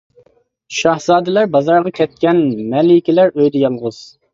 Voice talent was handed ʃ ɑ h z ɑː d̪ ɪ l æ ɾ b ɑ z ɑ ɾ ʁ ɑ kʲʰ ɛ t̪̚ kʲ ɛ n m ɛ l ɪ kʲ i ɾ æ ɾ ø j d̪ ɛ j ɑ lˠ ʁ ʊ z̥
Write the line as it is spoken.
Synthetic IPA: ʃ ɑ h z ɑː d̪ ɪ l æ ɾ b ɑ z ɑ ɾ ʁ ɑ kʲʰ ɛ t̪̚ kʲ ɛ n m ɛ l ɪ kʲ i l æ ɾ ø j d̪ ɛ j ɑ lˠ ʁ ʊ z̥